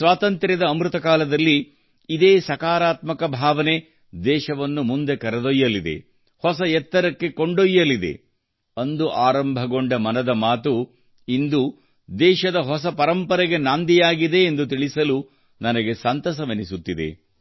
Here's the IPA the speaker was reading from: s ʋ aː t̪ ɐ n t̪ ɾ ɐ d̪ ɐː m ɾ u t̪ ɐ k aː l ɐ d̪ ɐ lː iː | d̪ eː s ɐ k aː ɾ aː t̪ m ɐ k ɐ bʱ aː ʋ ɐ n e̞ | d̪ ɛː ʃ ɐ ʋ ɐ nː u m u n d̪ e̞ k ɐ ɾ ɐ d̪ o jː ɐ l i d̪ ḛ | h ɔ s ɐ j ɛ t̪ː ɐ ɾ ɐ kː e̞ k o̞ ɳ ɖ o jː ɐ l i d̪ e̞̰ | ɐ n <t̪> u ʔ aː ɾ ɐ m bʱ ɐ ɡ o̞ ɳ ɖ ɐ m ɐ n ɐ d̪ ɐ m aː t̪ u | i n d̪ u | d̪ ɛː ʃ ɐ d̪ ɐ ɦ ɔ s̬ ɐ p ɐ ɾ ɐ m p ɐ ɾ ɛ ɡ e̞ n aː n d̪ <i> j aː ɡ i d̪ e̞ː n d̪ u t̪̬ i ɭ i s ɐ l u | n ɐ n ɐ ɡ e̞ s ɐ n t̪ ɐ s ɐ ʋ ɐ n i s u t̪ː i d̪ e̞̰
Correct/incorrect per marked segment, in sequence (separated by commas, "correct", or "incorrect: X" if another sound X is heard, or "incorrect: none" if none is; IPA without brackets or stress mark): incorrect: d̪, correct